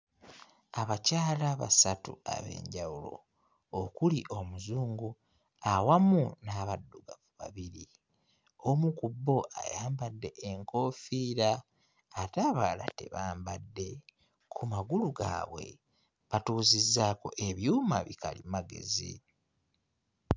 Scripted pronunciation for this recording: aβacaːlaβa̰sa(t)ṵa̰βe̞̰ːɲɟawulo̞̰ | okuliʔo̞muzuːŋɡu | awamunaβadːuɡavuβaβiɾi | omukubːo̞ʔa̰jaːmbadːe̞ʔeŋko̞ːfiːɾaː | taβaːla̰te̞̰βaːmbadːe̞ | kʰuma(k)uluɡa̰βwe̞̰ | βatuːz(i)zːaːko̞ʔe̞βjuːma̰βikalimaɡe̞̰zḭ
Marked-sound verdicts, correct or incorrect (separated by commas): correct, incorrect, correct